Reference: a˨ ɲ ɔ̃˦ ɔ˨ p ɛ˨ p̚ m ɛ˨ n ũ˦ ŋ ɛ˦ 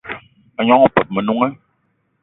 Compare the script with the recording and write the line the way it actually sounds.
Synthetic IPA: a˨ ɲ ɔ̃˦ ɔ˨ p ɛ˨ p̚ m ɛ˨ n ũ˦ ŋ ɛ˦

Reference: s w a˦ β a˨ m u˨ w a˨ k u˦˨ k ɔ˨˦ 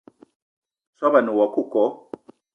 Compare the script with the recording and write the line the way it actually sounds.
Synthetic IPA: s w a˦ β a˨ n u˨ w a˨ k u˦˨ k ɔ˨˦

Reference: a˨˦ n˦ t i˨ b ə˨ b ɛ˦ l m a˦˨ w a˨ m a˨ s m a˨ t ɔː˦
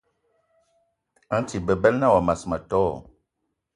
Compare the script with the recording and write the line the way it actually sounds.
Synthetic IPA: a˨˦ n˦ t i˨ b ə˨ b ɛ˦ l n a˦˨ w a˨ m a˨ s m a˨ t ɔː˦

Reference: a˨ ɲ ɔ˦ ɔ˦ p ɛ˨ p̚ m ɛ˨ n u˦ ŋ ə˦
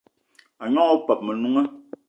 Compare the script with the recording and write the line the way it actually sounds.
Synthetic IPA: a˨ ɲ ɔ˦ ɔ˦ p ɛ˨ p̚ m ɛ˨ n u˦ ŋ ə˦

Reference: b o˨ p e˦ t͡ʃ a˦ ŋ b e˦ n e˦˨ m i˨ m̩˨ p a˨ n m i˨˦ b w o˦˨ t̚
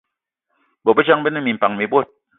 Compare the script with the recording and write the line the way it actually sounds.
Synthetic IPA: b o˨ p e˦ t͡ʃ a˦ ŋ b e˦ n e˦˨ m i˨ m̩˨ p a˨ ŋ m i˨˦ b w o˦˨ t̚

